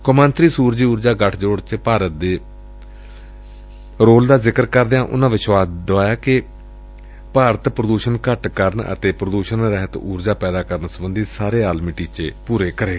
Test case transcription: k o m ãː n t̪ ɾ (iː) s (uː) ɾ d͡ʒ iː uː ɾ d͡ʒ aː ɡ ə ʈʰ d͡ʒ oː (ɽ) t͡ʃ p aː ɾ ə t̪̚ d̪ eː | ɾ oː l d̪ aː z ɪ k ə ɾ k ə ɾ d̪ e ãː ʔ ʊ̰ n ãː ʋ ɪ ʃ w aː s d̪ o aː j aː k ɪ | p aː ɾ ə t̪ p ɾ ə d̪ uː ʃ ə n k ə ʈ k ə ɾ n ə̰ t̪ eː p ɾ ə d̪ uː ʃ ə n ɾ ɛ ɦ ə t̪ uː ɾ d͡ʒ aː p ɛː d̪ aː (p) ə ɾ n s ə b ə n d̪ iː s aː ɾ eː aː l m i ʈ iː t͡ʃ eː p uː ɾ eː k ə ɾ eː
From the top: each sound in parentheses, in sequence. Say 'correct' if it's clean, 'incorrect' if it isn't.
correct, correct, correct, incorrect

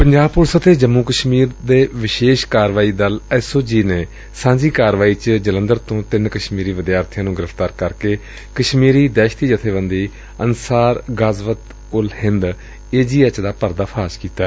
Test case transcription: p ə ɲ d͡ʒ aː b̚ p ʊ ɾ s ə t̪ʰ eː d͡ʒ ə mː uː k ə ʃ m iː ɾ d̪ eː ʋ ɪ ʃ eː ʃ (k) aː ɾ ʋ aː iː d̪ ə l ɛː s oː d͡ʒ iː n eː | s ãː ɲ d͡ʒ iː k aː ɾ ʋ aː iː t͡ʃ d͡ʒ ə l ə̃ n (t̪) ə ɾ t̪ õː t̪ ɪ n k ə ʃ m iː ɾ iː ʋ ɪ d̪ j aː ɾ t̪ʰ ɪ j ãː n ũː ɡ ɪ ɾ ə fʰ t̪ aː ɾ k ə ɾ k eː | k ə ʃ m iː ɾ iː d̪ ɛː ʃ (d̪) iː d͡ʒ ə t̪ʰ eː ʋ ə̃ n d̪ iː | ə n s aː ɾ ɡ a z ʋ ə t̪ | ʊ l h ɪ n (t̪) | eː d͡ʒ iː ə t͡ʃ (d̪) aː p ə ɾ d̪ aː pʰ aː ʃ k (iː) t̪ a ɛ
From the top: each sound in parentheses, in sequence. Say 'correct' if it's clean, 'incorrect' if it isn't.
correct, incorrect, incorrect, incorrect, correct, correct

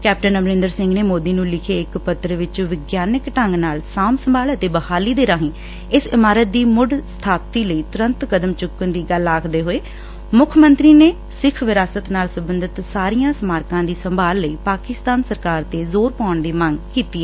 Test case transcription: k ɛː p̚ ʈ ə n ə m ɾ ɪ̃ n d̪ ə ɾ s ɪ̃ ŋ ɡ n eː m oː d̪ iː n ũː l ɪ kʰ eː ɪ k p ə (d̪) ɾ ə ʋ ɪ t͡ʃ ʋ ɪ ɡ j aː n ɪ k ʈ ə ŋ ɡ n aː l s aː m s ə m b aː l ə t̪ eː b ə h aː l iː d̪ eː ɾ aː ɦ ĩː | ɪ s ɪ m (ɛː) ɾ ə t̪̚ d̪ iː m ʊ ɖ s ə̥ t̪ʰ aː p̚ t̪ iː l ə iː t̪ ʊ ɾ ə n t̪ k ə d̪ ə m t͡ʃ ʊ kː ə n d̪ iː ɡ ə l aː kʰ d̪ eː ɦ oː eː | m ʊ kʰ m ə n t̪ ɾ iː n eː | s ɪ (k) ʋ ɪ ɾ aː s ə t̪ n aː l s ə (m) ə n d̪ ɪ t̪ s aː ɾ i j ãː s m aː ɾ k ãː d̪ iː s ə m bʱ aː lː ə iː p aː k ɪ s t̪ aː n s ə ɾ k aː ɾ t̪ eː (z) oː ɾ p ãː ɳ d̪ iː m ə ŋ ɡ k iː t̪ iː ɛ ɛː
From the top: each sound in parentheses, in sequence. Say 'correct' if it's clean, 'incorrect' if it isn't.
incorrect, incorrect, incorrect, incorrect, correct

